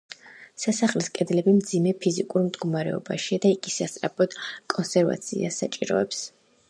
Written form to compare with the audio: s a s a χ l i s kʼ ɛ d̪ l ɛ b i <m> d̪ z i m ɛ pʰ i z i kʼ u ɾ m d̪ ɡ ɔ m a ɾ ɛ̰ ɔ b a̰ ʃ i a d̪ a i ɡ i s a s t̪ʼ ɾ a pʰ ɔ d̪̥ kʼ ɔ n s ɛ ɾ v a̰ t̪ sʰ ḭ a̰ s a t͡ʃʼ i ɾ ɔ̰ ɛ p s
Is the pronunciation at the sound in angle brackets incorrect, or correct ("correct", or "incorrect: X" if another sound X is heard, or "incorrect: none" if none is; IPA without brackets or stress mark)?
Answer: correct